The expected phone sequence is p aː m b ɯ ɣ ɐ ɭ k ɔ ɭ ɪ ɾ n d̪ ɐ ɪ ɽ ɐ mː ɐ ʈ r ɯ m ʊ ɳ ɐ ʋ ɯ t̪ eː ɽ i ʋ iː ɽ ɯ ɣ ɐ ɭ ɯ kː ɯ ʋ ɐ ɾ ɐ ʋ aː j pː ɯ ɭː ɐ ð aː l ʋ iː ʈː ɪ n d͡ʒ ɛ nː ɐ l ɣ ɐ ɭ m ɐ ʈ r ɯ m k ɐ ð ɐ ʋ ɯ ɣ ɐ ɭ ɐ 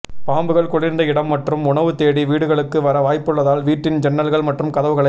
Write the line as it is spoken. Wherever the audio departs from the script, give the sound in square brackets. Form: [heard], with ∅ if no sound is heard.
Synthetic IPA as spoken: p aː m b ɯ ɣ ɐ ɭ k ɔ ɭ ɪ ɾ n d̪ ɐ ɪ ɽ ɐ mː ɐ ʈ r ɯ m ʊ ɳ ɐ ʋ ɯ t̪ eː ɽ i ʋ iː ɽ ɯ ɣ ɐ ɭ ɯ kː ɯ ʋ ɐ ɾ ɐ ʋ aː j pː ɯ ɭː ɐ ð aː l ʋ iː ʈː ɪ n d͡ʒ ɛ nː ɐ l ɣ ɐ ɭ m ɐ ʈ r ɯ m k ɐ ð ɐ ʋ ɯ ɣ ɐ ɭ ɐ

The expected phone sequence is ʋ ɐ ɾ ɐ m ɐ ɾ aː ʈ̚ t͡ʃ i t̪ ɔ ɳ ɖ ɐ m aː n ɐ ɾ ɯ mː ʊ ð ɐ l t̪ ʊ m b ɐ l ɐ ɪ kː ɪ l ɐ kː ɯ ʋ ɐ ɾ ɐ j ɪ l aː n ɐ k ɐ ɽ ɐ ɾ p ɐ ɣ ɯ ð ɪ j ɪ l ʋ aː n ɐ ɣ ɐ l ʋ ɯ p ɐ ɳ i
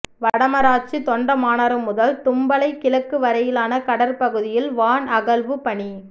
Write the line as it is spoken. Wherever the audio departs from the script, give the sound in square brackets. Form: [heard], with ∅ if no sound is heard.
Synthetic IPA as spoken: ʋ ɐ [ɽ] ɐ m ɐ ɾ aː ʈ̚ t͡ʃ i t̪ ɔ ɳ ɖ ɐ m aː n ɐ ɾ ɯ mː ʊ ð ɐ l t̪ ʊ m b ɐ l ɐ ɪ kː ɪ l ɐ kː ɯ ʋ ɐ ɾ ɐ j ɪ l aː n ɐ k ɐ ɽ ɐ ɾ p ɐ ɣ ɯ ð ɪ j ɪ l ʋ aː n ɐ ɣ ɐ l ʋ ɯ p ɐ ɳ i

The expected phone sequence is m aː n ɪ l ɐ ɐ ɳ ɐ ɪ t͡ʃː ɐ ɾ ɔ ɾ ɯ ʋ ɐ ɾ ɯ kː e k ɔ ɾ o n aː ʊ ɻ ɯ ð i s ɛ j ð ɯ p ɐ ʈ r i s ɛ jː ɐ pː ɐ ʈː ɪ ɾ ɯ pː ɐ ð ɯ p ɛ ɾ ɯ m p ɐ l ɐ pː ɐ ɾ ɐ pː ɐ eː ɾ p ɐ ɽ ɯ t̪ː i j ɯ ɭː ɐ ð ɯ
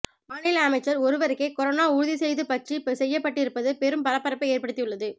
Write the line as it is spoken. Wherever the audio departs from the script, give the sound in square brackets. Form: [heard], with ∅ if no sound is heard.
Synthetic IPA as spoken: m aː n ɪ l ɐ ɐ [m] ɐ ɪ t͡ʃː ɐ ɾ ɔ ɾ ɯ ʋ ɐ ɾ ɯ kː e k ɔ ɾ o n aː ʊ ɻ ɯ ð i s ɛ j ð ɯ p ɐ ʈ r i s ɛ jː ɐ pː ɐ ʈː ɪ ɾ ɯ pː ɐ ð ɯ p ɛ ɾ ɯ m p ɐ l ɐ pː ɐ ɾ ɐ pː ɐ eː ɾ p ɐ ɽ ɯ t̪ː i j ɯ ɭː ɐ ð ɯ

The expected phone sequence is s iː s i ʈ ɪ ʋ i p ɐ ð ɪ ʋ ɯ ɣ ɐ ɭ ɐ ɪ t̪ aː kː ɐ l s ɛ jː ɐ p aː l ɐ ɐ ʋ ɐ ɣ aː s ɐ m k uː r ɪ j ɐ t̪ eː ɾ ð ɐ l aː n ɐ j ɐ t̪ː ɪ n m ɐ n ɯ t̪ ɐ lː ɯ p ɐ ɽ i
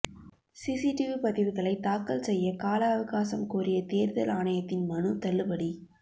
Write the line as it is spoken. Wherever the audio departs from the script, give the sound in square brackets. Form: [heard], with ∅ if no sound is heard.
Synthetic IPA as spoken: s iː s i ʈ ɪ ʋ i p ɐ ð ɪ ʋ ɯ ɣ ɐ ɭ ɐ ɪ t̪ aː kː ɐ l s ɛ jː ɐ [k] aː l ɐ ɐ ʋ ɐ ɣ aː s ɐ m k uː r ɪ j ɐ t̪ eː ɾ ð ɐ l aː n ɐ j ɐ t̪ː ɪ n m ɐ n ɯ t̪ ɐ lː ɯ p ɐ ɽ i

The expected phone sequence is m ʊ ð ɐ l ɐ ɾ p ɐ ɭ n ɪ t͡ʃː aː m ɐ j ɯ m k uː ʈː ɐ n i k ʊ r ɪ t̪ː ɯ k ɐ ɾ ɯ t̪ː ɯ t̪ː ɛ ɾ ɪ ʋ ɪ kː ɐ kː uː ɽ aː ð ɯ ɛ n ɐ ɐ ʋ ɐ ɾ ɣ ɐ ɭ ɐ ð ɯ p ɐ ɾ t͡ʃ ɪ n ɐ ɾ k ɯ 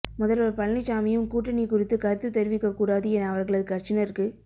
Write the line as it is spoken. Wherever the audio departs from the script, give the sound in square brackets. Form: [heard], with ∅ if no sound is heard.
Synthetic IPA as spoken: m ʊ ð ɐ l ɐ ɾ p ɐ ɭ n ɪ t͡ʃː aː m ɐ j ɯ m k uː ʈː ɐ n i k ʊ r ɪ t̪ː ɯ k ɐ ɾ ɯ t̪ː ɯ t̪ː ɛ ɾ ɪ ʋ ɪ kː ɐ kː uː ɽ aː ð ɯ ɛ n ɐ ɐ ʋ ɐ ɾ ɣ ɐ ɭ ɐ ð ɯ [k] ɐ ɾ t͡ʃ ɪ n ɐ ɾ k ɯ

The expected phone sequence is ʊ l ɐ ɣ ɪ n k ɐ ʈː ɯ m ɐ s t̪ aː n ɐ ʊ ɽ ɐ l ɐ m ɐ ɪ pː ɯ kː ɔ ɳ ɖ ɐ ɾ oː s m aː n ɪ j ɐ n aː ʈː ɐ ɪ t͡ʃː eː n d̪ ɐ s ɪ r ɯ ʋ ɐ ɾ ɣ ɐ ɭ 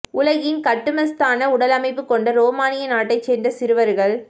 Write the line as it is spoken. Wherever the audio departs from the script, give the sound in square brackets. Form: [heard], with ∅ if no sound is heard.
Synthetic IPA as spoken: ʊ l ɐ ɣ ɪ n k ɐ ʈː ɯ m ɐ s t̪ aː n ɐ ʊ ɽ ɐ l ɐ m ɐ ɪ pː ɯ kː ɔ ɳ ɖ ɐ ɾ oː [∅] m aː n ɪ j ɐ n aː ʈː ɐ ɪ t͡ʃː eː n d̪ ɐ s ɪ [ɾ] ɯ ʋ ɐ ɾ ɣ ɐ ɭ

